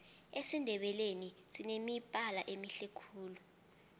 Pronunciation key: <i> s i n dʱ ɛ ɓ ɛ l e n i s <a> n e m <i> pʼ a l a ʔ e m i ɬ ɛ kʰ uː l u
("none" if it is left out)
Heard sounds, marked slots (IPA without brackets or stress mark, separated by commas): e, i, i